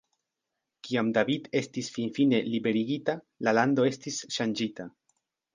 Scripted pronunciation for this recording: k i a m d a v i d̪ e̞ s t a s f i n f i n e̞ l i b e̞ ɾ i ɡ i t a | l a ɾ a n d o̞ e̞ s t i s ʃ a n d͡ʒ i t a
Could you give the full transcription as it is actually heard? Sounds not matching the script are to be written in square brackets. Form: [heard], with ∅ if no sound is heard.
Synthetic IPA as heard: k i a m d a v i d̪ e̞ s t [i] s f i n f i n e̞ l i b e̞ ɾ i ɡ i t a | l a [l] a n d o̞ e̞ s t i s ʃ a n d͡ʒ i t a